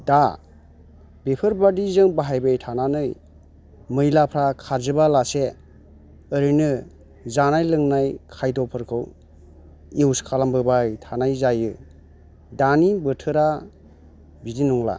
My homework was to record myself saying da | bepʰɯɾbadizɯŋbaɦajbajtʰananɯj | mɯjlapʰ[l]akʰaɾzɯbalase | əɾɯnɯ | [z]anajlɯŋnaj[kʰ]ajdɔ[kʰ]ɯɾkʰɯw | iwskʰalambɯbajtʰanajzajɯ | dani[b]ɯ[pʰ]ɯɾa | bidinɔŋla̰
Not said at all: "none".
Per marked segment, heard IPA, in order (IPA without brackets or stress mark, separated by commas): ɾ, z, kʰ, pʰ, b, tʰ